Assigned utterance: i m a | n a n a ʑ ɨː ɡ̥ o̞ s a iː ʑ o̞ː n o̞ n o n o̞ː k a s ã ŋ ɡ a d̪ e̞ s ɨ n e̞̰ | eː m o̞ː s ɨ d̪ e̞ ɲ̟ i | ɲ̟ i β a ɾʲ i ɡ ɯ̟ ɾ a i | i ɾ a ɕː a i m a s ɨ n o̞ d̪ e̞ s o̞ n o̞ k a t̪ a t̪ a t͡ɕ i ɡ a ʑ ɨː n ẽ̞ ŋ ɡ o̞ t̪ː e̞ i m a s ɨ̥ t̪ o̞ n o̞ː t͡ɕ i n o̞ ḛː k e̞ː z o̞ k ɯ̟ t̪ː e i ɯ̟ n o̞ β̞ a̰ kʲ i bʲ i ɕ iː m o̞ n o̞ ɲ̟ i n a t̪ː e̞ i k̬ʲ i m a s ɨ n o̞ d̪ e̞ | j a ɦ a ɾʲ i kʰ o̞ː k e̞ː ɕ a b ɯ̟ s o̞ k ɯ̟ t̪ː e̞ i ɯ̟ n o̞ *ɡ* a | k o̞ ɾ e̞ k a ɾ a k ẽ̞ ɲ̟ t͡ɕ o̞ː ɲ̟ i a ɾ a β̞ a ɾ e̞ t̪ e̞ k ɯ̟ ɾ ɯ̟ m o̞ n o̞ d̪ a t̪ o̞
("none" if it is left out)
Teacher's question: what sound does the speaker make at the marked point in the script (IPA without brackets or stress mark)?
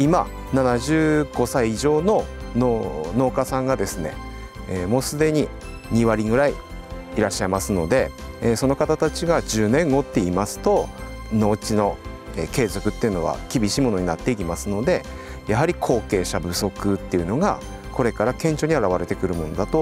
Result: ɡ